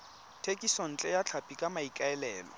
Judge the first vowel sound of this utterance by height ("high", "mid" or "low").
mid